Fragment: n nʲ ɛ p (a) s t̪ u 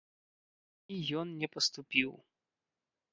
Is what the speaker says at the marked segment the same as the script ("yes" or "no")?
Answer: no